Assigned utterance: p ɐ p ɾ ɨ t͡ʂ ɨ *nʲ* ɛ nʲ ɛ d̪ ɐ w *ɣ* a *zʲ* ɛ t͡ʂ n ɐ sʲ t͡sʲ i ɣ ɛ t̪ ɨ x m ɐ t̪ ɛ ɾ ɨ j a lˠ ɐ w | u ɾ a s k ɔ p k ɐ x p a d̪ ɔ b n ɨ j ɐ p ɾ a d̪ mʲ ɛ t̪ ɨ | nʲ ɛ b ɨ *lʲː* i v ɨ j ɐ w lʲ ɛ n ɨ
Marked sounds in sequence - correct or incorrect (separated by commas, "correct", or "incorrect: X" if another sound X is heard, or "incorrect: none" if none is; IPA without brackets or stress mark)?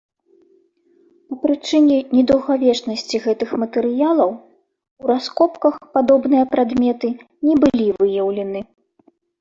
correct, correct, incorrect: vʲ, incorrect: lʲ